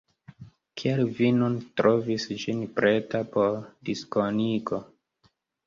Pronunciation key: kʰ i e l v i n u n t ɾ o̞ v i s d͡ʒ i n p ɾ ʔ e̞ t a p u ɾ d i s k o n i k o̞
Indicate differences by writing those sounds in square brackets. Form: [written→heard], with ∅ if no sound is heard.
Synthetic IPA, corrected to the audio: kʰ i [e→a] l v i n u n t ɾ o̞ v i s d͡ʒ i n p ɾ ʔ e̞ t a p [u→o] ɾ d i s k o n i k o̞